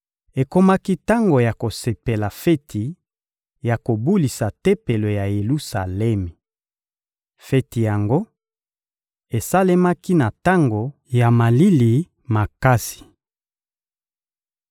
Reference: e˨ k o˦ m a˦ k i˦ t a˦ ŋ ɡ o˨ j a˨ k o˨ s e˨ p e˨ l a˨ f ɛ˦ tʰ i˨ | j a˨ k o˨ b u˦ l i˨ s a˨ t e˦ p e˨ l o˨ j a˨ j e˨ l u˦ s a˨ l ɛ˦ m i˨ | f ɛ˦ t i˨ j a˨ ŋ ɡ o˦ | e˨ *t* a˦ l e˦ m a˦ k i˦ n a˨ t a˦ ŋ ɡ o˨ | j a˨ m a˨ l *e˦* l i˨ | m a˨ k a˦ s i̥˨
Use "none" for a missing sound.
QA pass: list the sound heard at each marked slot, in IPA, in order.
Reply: s, i˦

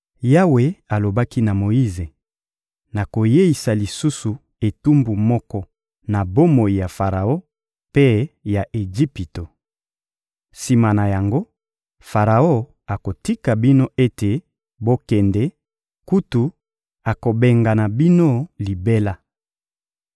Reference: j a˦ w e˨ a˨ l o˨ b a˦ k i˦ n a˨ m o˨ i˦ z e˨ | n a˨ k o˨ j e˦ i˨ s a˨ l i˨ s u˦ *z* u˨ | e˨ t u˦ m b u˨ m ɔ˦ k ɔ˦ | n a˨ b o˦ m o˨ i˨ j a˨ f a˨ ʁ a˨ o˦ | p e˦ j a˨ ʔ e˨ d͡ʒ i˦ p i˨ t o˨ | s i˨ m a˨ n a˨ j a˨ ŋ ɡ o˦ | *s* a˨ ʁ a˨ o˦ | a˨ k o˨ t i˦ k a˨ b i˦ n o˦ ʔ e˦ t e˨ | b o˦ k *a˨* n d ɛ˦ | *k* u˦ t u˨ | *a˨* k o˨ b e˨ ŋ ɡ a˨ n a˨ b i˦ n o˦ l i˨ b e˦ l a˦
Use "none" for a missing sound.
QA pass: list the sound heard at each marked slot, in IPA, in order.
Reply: s, f, ɛ˨, k, a˨

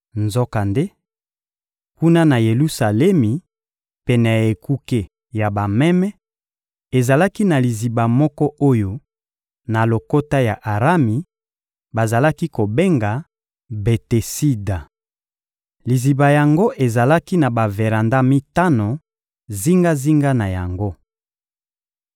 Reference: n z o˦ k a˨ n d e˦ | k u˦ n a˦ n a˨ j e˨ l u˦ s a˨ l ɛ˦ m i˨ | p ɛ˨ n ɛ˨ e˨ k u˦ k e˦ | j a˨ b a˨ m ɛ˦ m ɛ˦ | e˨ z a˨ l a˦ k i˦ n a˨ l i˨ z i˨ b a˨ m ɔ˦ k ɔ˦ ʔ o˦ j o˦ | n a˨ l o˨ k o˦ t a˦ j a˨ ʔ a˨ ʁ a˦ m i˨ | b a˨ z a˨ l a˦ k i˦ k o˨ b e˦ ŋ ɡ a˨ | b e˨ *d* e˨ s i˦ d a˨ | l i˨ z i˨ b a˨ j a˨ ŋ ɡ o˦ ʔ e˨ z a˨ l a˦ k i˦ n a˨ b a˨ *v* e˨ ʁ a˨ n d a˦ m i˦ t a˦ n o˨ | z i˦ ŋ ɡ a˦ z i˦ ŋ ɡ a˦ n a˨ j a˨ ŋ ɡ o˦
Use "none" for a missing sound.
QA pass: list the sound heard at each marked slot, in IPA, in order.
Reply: t, v

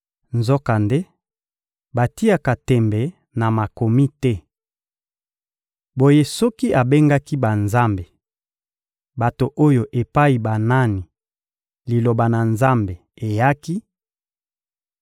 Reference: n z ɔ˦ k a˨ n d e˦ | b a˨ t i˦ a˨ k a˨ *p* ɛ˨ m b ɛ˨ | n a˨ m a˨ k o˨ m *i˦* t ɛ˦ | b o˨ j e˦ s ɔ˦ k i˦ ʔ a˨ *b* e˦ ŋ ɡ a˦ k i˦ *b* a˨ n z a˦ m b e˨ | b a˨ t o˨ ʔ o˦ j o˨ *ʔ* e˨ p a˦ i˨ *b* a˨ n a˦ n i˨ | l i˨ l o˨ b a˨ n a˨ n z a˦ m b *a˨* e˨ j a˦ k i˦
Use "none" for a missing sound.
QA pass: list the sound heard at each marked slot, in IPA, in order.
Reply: t, i˦, b, b, ʔ, b, e˨

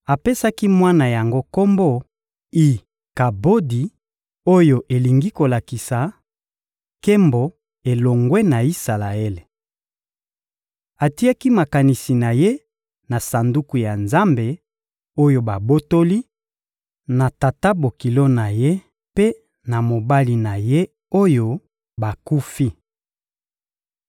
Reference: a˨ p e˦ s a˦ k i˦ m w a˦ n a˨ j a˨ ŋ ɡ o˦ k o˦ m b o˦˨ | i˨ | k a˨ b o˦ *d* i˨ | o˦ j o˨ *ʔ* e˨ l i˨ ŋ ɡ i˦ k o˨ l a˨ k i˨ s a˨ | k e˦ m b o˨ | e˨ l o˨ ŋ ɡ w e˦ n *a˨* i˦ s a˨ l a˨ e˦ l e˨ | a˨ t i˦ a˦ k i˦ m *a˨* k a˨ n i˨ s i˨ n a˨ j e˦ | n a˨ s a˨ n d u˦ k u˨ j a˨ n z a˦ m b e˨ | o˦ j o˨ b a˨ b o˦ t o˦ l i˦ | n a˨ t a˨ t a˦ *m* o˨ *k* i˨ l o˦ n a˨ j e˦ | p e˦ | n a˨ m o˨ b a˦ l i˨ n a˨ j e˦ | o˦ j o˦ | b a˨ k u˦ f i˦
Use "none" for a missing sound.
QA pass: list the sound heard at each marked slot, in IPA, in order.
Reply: d, ʔ, a˨, a˨, b, k

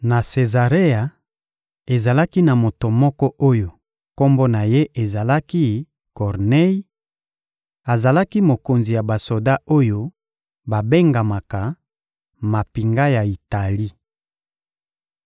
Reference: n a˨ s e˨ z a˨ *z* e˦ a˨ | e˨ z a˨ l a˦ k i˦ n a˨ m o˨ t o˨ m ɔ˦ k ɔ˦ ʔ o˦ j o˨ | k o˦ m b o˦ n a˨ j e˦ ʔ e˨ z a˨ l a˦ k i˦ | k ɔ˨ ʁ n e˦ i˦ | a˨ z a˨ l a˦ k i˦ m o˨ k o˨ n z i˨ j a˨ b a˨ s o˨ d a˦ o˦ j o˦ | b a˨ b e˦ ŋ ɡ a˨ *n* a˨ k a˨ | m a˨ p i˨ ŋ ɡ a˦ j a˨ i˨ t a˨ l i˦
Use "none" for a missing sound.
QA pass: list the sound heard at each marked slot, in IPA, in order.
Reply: ʁ, m

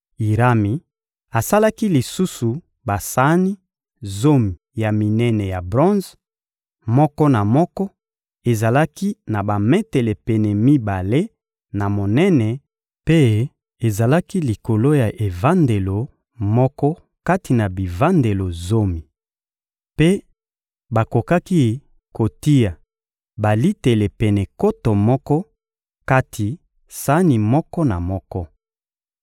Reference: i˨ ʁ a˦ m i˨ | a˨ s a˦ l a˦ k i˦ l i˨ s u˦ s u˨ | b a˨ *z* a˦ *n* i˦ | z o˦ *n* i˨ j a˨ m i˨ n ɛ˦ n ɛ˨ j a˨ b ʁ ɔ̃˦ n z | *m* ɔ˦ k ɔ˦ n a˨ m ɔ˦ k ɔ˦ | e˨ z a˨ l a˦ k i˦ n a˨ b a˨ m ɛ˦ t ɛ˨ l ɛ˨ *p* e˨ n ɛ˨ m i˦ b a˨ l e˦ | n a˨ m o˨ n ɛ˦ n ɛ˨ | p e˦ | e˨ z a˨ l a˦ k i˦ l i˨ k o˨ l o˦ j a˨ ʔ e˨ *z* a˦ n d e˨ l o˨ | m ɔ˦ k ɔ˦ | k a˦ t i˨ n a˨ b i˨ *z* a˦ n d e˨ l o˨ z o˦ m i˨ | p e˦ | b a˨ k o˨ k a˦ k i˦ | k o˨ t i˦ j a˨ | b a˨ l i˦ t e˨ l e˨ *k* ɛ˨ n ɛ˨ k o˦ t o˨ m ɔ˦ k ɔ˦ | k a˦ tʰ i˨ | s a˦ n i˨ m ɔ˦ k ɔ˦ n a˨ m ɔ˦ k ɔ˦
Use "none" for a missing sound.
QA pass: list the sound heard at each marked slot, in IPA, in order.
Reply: s, n, m, m, p, v, v, p

